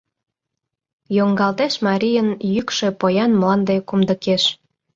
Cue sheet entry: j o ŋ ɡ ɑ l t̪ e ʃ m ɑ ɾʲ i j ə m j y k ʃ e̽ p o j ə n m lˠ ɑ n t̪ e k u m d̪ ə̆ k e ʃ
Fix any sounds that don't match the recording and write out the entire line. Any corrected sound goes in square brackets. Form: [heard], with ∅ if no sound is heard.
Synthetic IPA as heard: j o ŋ ɡ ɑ l t̪ e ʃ m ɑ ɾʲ i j ə [n] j y k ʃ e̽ p o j [ɑ] n m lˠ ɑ n [d̪] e k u m d̪ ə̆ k e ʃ